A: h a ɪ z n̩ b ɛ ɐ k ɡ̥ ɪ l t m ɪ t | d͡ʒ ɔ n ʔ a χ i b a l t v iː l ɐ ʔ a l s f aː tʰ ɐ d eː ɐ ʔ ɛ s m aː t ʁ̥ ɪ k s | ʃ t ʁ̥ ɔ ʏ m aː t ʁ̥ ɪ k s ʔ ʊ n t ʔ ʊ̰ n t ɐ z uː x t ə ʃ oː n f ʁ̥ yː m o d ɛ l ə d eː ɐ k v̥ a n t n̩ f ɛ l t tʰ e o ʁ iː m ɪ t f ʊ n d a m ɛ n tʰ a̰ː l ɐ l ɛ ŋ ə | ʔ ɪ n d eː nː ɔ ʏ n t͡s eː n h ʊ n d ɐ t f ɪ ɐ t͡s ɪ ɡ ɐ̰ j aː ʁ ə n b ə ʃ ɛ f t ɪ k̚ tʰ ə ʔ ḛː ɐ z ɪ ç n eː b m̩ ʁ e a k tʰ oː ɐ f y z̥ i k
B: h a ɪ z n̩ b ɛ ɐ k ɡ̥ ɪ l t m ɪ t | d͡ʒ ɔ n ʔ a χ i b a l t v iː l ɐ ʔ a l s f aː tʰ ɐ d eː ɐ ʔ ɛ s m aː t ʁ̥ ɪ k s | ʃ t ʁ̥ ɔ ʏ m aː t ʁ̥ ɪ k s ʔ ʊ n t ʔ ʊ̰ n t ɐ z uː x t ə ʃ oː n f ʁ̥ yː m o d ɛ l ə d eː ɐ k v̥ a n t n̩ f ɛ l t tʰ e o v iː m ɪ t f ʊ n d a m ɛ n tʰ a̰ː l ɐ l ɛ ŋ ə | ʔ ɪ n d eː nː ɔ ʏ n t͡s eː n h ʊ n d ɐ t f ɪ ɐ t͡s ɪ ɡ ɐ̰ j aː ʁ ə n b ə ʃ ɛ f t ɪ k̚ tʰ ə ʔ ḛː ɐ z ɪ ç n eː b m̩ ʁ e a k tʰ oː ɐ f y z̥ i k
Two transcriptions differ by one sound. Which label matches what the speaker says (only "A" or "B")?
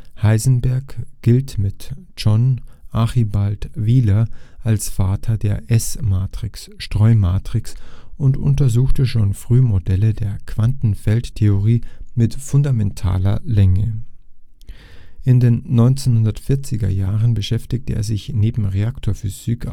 A